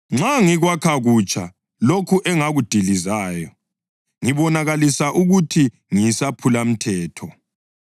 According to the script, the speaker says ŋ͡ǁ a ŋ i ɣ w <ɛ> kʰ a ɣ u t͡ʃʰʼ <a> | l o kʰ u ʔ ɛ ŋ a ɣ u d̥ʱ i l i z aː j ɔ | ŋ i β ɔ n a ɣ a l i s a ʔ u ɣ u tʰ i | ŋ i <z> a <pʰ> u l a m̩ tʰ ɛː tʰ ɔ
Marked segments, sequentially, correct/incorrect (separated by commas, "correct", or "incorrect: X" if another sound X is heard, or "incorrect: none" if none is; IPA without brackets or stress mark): incorrect: a, correct, incorrect: s, correct